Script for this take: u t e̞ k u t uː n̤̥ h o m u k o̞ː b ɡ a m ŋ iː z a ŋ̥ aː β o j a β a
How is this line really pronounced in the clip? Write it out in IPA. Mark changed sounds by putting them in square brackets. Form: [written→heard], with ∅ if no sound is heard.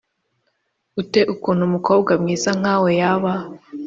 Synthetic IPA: u t e̞ [k→ʔ] u [t→k] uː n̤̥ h [o→u] m u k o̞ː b ɡ a m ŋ iː z a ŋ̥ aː [β→w] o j a β a